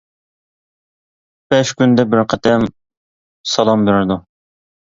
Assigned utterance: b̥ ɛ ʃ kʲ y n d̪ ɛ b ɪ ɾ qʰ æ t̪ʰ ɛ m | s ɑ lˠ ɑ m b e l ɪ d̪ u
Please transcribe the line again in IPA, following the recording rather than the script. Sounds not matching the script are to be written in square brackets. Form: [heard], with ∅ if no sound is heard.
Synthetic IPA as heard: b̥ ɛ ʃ kʲ y n d̪ ɛ b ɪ ɾ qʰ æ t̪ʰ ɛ m | s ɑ lˠ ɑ m b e [ɾ] ɪ d̪ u